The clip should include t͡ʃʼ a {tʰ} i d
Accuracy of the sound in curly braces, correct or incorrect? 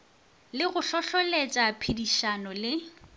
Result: incorrect